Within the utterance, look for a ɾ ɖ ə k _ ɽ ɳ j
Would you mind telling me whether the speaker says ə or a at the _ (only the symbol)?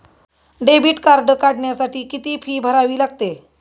a